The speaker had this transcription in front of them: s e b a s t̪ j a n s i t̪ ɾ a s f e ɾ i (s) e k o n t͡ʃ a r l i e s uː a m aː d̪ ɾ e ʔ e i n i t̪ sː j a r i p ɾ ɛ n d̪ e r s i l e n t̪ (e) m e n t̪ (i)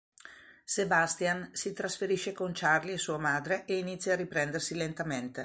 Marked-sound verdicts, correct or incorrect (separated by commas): incorrect, incorrect, incorrect